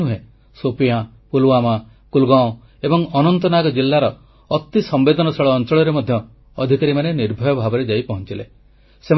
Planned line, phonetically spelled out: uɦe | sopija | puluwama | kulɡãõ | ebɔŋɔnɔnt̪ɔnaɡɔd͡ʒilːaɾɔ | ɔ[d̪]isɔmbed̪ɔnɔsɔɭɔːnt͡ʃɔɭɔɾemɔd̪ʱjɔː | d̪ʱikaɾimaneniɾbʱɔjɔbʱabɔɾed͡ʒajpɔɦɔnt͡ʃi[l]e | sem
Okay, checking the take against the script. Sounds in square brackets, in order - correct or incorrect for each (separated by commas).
incorrect, correct